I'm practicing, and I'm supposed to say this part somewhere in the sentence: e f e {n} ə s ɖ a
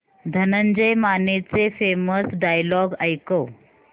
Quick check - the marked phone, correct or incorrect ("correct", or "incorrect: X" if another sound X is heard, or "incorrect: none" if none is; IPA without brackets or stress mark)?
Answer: incorrect: m